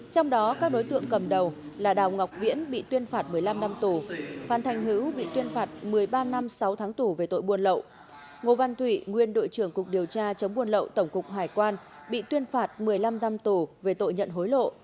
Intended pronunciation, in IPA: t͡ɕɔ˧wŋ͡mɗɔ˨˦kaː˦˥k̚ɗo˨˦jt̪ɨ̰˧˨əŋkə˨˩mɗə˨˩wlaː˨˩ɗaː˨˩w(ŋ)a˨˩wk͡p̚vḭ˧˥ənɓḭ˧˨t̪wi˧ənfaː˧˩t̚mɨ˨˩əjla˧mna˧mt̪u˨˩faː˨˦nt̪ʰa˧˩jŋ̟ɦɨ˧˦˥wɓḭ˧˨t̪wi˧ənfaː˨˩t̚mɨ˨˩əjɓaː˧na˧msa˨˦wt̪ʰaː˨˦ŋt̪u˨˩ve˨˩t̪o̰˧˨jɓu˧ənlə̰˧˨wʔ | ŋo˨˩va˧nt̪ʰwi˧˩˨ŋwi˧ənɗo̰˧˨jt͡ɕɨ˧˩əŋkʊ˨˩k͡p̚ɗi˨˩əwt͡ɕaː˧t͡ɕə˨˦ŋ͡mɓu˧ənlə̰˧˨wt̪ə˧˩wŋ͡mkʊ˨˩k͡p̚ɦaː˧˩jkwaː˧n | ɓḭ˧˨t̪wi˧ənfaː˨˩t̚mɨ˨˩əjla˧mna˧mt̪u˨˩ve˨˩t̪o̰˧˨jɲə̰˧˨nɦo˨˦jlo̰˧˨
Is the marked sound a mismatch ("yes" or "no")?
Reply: no